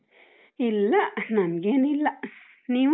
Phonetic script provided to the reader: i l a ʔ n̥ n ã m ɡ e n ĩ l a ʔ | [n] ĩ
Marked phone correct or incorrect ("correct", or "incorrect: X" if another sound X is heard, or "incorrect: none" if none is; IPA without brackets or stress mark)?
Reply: correct